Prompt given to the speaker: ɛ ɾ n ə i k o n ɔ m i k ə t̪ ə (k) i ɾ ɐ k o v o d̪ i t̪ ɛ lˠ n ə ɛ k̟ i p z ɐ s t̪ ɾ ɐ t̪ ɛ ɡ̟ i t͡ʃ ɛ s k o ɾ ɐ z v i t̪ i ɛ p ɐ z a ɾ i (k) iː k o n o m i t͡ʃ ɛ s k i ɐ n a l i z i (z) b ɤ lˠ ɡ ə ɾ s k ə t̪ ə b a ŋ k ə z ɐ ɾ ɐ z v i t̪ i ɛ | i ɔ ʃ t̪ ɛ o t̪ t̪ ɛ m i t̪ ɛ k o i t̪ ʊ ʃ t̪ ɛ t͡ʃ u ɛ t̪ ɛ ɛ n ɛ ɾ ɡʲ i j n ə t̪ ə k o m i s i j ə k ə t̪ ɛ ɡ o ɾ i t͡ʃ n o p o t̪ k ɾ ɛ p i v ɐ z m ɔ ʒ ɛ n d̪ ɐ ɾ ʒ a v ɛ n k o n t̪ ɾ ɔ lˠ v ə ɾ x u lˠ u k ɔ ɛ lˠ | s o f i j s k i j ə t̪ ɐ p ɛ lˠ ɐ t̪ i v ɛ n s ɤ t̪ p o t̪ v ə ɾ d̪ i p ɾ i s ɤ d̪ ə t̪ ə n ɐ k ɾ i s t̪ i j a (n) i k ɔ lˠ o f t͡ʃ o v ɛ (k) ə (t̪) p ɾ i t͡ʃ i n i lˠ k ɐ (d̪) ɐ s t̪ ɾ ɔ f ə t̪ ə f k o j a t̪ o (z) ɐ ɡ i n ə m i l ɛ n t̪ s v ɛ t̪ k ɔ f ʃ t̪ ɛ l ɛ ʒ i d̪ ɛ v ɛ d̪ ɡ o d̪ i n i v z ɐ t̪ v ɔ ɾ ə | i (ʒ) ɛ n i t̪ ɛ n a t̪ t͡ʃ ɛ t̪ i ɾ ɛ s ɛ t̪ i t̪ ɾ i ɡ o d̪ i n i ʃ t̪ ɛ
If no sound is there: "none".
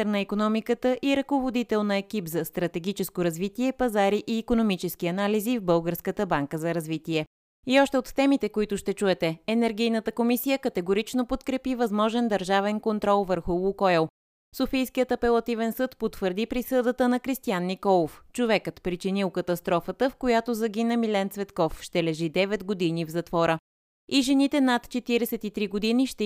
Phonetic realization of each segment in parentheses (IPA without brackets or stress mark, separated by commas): ʔ, ʔ, v, nː, k, t̪, t̪, z, ʒ